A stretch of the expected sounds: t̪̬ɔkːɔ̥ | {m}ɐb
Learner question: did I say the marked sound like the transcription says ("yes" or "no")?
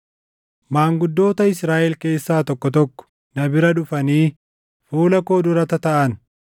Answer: no